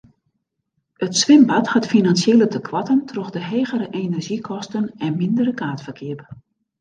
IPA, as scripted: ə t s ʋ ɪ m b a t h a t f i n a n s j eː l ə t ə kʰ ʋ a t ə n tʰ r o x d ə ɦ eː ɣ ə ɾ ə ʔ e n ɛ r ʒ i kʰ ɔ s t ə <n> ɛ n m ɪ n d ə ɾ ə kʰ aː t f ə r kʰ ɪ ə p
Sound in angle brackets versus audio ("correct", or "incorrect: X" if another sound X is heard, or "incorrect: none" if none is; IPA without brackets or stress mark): correct